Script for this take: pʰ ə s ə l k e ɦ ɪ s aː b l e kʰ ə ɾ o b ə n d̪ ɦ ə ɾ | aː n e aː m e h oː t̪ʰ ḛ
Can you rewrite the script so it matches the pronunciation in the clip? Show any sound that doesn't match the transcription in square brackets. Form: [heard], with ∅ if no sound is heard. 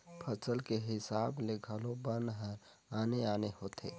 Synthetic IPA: pʰ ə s ə l k e ɦ ɪ s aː b l e kʰ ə [l] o b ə n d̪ ɦ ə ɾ | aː n e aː [n] e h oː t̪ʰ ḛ